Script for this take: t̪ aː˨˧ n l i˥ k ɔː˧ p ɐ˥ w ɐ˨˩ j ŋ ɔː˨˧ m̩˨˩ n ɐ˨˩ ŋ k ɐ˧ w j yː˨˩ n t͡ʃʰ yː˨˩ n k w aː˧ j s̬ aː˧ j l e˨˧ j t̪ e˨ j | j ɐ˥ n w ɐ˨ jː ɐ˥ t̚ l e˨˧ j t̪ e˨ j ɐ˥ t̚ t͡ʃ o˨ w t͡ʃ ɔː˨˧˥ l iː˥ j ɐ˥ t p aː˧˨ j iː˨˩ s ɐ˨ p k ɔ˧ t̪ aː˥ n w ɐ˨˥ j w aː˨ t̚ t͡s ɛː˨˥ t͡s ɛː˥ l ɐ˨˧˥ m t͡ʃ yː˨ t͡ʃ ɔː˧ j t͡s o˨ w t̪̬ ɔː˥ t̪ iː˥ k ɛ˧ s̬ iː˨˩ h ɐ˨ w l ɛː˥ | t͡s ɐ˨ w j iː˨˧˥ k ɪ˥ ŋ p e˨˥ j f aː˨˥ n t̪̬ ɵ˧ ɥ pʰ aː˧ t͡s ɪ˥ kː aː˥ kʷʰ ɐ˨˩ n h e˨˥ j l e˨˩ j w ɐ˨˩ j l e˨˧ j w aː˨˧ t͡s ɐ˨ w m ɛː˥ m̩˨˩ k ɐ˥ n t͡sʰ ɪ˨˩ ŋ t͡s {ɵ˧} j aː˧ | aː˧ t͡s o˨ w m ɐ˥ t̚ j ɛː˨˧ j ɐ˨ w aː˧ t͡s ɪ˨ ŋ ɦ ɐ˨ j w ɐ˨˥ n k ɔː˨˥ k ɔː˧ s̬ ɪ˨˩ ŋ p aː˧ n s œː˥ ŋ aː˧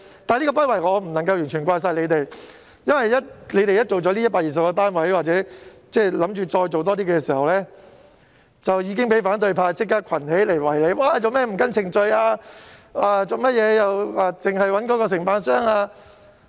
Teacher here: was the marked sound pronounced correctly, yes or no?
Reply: yes